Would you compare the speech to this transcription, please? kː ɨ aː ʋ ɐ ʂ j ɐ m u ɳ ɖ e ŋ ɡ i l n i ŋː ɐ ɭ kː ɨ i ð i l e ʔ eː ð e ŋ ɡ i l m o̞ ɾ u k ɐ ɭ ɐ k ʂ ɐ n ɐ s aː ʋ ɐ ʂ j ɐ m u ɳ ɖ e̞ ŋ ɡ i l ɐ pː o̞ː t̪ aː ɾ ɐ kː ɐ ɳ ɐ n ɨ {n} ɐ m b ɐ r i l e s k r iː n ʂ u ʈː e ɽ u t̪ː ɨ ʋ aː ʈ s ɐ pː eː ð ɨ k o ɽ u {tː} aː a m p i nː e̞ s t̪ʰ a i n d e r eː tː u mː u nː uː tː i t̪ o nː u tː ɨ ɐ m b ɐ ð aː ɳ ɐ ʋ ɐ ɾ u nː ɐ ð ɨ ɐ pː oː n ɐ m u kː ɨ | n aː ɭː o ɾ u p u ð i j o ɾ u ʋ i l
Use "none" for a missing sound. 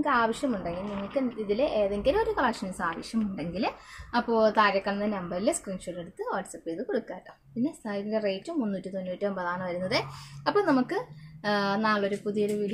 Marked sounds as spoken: n, kː

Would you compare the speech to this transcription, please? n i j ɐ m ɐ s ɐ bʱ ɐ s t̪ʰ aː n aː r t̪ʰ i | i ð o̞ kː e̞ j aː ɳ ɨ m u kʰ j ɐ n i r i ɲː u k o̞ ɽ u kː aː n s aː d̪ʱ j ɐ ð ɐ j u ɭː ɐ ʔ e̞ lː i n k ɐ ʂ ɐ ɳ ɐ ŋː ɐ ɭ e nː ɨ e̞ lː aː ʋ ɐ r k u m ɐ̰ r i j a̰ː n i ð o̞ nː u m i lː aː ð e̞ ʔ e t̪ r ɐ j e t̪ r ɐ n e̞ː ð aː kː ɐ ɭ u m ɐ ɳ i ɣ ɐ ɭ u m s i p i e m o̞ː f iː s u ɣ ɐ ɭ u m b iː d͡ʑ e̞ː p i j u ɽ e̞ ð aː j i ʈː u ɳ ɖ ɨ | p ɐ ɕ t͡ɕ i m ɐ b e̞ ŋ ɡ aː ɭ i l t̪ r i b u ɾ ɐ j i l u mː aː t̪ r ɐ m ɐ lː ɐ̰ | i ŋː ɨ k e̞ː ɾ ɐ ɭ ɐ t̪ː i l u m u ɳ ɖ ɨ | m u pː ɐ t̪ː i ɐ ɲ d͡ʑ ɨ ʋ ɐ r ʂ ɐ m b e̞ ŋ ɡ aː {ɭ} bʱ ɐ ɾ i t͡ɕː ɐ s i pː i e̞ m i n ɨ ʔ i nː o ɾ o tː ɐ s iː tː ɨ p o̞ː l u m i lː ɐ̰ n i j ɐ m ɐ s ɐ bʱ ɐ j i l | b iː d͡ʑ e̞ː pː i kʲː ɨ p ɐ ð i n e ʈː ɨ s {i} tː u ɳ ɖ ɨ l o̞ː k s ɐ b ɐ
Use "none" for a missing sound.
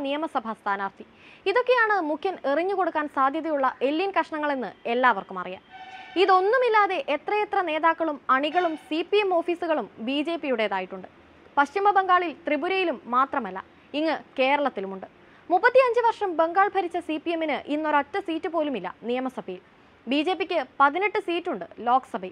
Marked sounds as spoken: ɭ, iː

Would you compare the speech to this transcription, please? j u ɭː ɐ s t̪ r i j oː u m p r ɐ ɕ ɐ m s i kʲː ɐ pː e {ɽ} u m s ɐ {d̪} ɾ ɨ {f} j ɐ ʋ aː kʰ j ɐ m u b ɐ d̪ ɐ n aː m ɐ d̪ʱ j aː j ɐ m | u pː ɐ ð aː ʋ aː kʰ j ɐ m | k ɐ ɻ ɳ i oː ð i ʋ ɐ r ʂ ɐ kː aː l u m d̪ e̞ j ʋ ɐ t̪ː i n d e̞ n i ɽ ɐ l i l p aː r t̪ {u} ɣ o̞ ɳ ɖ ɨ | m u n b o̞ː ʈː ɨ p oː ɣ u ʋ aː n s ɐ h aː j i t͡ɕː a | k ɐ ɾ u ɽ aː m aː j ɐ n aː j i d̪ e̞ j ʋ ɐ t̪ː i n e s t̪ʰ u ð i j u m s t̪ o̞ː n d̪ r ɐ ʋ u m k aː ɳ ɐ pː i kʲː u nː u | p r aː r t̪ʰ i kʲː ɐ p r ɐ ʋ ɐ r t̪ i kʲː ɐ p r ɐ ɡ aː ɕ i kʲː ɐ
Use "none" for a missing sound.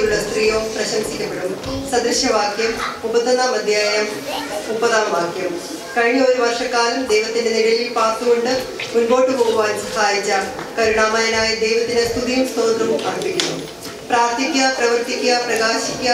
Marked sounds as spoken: ɽ, d̪, ɕ, u

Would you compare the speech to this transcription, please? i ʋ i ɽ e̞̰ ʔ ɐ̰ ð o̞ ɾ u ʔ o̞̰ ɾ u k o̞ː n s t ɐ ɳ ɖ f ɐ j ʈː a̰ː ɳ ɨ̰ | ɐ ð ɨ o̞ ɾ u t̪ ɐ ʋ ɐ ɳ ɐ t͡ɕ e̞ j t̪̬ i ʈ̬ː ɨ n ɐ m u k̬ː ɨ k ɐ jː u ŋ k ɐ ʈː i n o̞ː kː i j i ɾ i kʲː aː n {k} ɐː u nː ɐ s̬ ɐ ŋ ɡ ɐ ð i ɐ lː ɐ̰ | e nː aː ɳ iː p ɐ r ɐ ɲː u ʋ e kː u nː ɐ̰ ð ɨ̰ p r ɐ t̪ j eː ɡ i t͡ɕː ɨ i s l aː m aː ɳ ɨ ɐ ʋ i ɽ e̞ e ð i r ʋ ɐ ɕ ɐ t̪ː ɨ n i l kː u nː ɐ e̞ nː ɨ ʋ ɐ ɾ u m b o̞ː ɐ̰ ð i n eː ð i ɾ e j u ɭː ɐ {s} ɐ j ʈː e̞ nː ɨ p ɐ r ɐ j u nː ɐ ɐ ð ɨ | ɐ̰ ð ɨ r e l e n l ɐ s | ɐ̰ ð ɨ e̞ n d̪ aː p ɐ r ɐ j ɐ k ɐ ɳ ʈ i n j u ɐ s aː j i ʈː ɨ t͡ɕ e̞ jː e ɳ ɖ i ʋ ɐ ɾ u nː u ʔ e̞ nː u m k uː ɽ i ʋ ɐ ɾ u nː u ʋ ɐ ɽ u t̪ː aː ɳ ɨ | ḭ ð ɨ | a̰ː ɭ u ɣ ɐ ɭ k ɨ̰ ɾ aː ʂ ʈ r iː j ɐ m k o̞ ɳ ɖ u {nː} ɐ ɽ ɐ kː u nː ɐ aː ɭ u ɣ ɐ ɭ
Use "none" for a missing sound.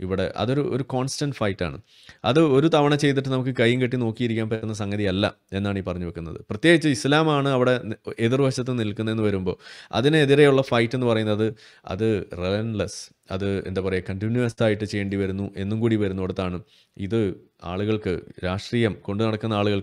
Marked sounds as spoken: p, f, n

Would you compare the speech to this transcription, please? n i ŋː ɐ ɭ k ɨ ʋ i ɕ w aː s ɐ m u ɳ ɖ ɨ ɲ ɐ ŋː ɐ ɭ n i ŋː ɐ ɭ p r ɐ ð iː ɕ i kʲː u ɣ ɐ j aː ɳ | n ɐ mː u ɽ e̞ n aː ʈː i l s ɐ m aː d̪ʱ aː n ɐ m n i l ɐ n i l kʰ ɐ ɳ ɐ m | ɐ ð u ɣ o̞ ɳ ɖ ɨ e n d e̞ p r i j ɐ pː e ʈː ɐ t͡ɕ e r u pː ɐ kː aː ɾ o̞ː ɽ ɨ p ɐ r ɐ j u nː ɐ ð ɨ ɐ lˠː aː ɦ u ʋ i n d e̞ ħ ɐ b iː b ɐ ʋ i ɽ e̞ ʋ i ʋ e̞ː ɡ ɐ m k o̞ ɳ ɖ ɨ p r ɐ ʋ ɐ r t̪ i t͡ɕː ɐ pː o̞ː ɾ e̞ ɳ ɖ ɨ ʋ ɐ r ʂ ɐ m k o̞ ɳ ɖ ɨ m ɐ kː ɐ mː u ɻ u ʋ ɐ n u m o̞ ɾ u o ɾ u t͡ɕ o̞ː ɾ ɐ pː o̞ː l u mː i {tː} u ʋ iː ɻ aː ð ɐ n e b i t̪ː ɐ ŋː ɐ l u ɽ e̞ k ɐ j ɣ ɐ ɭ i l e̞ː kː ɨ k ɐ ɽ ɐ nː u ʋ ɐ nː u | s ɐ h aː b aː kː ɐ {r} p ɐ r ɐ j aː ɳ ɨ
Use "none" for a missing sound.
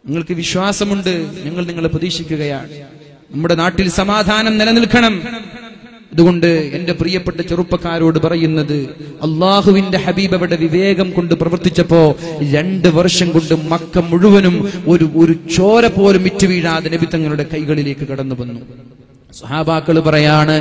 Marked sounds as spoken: tː, ɭ

